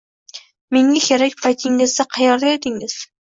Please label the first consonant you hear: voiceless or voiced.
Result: voiced